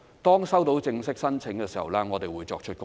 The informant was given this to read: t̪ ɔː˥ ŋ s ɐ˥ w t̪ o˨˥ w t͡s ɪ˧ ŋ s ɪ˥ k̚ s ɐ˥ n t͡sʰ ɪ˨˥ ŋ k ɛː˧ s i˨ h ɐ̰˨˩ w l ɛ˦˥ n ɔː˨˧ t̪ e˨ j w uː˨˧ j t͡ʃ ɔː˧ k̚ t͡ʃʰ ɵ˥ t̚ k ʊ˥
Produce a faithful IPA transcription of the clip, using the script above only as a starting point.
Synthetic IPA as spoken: t̪ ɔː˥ ŋ s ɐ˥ w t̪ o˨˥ w t͡s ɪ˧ ŋ s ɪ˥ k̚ s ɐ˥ n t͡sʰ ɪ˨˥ ŋ k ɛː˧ s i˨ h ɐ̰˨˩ w l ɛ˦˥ ŋ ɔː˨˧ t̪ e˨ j w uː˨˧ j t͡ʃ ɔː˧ k̚ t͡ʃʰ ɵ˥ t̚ k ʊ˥